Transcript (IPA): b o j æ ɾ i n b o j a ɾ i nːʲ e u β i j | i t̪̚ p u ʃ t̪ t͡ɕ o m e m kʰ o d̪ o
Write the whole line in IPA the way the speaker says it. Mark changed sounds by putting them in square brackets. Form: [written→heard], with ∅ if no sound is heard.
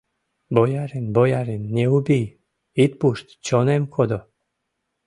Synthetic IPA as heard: b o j [æ→a] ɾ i n b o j a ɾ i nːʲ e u [β→b] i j | i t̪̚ p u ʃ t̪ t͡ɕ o [m→n] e m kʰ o d̪ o